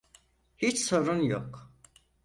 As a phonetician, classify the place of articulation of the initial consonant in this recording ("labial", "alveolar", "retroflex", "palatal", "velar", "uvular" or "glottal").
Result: glottal